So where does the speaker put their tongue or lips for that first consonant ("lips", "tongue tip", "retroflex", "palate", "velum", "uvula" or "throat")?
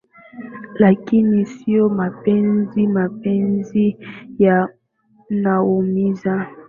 tongue tip